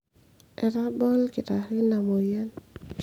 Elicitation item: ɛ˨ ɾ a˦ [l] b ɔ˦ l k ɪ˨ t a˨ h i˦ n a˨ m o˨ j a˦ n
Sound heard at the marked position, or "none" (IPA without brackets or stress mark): none